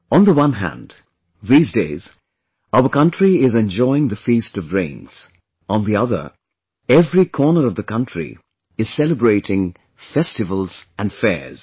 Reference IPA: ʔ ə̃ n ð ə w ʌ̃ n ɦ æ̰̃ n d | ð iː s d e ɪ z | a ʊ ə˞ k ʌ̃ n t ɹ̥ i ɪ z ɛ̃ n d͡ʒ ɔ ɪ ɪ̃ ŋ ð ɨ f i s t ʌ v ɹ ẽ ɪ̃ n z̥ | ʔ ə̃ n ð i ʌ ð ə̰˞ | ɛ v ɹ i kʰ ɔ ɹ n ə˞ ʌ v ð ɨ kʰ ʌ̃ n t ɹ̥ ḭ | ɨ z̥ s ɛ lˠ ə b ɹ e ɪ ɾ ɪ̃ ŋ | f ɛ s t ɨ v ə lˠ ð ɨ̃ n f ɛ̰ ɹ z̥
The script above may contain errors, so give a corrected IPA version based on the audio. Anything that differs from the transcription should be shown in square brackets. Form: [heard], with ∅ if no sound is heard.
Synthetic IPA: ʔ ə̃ n ð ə w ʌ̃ n ɦ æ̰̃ n d | ð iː [z] d e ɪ z | a ʊ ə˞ k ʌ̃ n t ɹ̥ i ɪ z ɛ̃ n d͡ʒ ɔ ɪ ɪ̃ ŋ ð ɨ f i s t ʌ v ɹ ẽ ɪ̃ n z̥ | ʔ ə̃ n ð i ʌ ð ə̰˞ | ɛ v ɹ i kʰ ɔ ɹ n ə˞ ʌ v ð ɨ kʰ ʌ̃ n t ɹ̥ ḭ | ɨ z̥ s ɛ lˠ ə b ɹ e ɪ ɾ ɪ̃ ŋ | f ɛ s t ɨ v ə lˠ [z] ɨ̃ n f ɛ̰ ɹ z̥